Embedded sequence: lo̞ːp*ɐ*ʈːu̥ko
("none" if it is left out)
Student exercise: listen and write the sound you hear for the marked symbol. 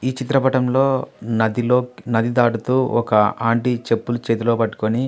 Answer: ɐ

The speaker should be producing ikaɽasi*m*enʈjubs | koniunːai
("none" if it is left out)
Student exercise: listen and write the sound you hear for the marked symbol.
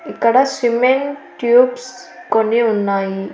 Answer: m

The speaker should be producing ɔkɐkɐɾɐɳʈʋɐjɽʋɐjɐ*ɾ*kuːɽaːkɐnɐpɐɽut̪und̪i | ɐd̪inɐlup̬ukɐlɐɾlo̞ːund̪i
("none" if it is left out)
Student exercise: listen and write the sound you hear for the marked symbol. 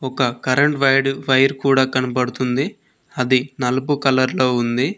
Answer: ɾ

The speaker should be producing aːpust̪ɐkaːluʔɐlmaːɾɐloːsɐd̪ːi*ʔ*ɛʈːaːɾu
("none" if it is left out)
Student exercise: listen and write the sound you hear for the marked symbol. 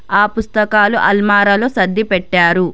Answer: p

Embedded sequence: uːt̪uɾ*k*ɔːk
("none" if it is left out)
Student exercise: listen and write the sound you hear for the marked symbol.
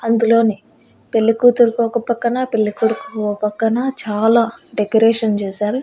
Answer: k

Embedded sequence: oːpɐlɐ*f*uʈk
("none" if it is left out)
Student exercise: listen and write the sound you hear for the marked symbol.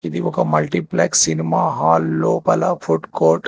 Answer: f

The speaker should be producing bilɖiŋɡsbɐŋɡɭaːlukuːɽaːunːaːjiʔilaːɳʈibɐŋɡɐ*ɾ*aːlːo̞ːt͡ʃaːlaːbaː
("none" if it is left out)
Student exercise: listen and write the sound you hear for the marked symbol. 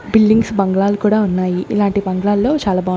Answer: ɭ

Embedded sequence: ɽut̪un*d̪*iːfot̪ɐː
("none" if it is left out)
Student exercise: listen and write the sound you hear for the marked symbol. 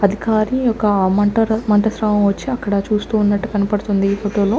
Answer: d̪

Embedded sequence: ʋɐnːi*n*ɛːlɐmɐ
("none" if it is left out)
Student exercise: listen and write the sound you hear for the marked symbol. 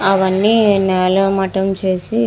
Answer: n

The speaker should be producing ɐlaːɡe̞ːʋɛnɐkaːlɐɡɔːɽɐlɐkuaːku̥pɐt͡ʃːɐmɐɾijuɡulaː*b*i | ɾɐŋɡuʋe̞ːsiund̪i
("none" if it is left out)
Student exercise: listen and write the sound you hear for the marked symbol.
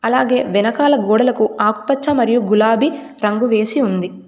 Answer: b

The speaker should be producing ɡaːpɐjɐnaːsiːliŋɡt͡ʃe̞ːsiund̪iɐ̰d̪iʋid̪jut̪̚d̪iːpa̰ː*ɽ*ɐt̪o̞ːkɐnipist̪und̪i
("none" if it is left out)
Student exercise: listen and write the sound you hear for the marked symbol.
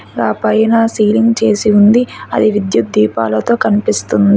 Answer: l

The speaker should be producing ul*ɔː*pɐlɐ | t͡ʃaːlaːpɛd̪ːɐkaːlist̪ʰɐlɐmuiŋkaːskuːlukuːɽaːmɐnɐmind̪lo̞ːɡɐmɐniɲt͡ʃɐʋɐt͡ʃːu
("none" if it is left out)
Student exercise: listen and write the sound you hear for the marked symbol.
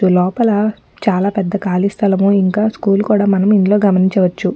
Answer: ɔː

